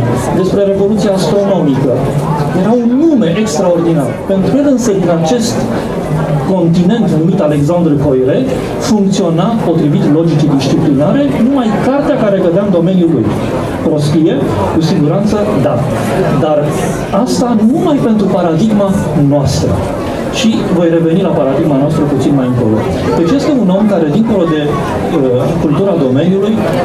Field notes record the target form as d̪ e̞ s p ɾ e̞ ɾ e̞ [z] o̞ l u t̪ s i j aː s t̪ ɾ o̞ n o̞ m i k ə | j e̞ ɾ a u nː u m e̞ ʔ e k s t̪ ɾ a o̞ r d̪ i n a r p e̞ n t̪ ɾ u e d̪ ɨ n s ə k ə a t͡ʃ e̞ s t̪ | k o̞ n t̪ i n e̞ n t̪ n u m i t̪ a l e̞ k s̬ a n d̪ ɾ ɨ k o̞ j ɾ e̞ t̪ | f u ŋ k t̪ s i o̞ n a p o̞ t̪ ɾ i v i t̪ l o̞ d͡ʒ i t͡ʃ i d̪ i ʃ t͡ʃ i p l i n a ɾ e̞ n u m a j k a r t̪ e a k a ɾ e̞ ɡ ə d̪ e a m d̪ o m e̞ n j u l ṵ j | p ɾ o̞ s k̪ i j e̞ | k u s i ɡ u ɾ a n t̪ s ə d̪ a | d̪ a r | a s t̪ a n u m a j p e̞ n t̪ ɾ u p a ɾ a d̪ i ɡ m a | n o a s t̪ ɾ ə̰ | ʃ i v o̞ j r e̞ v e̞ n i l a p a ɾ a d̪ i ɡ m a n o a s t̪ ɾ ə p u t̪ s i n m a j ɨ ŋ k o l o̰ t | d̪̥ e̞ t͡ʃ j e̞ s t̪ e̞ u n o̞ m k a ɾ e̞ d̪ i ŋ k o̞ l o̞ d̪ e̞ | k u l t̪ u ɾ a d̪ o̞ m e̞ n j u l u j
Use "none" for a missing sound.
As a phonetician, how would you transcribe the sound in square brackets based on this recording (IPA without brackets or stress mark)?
v